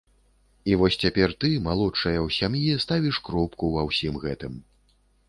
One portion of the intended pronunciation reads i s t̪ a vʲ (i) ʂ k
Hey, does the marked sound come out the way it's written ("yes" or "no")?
yes